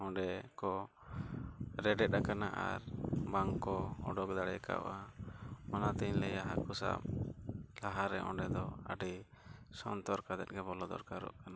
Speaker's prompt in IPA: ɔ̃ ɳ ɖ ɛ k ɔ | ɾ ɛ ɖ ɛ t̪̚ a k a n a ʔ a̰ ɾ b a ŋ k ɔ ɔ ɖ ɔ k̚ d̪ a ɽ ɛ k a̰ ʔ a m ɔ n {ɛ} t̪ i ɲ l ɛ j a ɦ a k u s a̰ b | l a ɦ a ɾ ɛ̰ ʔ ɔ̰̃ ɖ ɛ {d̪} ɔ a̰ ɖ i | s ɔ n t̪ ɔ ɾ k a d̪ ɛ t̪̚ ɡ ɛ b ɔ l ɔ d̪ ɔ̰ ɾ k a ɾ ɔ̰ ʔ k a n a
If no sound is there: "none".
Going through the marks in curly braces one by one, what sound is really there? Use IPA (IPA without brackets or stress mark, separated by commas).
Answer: a, d̪